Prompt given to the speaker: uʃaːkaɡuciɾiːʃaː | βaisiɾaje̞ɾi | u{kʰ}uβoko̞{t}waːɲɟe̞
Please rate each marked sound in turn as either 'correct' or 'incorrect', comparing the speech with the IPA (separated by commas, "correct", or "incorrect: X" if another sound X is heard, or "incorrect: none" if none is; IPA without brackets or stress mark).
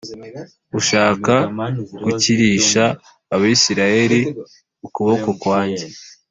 incorrect: k, incorrect: k